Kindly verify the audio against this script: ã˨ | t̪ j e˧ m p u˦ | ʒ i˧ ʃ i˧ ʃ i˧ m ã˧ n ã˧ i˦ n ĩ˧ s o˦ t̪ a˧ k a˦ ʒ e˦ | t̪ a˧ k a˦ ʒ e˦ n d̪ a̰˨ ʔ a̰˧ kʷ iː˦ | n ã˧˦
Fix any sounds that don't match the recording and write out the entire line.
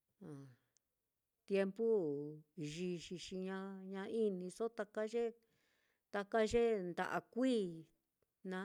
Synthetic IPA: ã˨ | t̪ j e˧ m p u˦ | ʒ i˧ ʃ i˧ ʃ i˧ ɲ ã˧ ɲ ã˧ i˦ n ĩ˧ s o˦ t̪ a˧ k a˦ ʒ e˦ | t̪ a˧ k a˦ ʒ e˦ n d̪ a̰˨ ʔ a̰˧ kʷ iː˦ | n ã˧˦